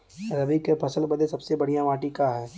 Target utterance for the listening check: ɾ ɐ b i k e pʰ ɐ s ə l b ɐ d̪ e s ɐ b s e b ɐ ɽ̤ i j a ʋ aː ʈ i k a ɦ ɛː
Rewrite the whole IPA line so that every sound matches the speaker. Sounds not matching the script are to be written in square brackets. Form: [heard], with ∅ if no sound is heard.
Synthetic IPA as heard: ɾ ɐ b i k e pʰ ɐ s ə l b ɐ d̪ e s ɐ b s e b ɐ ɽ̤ i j a ʋ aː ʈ i k a ɦ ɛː